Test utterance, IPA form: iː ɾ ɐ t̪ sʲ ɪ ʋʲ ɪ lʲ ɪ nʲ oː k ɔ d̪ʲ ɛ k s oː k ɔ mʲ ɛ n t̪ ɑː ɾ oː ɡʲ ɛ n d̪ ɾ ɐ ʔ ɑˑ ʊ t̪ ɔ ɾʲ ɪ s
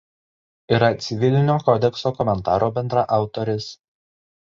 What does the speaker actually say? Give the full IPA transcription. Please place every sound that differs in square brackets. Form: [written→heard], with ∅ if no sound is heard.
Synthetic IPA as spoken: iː ɾ ɐ t̪ sʲ ɪ ʋʲ ɪ lʲ ɪ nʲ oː k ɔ d̪ʲ ɛ k s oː k ɔ mʲ ɛ n t̪ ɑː ɾ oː [ɡʲ→bʲ] ɛ n d̪ ɾ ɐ ʔ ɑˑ ʊ t̪ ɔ ɾʲ ɪ s